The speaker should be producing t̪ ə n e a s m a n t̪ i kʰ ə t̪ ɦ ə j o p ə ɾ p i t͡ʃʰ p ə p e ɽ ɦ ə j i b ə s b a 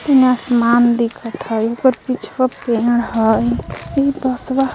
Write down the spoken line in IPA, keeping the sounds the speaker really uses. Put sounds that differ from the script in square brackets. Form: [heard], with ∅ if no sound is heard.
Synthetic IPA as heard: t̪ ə n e a s m a n [d̪] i kʰ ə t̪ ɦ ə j o [k] ə ɾ p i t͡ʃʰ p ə p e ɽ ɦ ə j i b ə s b a